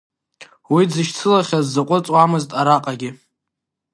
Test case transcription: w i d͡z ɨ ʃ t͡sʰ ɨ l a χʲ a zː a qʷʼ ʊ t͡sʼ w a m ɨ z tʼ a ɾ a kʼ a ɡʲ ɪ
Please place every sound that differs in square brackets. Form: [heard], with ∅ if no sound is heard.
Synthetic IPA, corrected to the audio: w i d͡z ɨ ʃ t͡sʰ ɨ l a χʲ a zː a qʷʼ ʊ t͡sʼ w a m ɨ z tʼ a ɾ a [qʼ] a ɡʲ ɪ